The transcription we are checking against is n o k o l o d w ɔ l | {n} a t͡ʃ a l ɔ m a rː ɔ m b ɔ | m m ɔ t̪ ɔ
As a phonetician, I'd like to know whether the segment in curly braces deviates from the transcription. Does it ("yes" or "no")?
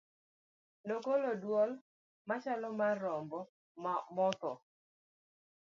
yes